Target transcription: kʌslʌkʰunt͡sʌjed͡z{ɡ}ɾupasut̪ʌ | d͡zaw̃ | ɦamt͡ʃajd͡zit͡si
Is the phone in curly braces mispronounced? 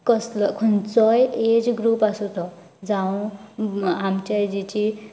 no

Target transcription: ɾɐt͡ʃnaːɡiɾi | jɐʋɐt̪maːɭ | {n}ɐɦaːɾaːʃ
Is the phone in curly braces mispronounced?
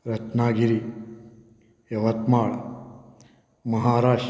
yes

